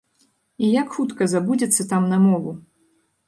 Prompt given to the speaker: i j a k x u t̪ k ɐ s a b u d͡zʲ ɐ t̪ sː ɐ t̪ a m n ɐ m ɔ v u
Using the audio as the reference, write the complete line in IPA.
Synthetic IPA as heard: i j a k x u t̪ k ɐ z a b u d͡zʲ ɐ t̪ sː ɐ t̪ a m n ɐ m ɔ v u